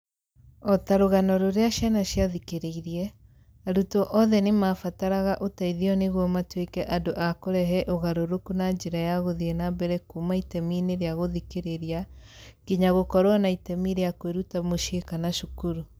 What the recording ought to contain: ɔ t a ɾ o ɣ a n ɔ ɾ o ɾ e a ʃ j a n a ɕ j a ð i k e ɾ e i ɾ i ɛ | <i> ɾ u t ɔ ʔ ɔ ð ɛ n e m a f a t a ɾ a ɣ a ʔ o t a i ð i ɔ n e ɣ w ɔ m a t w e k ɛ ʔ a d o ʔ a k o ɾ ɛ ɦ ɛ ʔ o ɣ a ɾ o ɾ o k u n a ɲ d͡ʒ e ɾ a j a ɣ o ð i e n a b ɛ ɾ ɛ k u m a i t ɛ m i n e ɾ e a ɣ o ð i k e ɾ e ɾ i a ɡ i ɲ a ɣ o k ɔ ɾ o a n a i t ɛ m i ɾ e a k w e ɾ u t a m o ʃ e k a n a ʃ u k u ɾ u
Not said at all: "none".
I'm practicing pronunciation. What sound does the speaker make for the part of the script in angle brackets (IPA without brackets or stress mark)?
a